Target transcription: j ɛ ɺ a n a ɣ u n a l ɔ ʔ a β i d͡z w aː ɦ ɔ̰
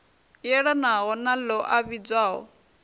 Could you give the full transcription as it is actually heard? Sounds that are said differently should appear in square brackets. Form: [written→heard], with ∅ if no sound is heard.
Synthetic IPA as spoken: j ɛ ɺ a n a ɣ [u→ɔ] n a l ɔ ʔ a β i d͡z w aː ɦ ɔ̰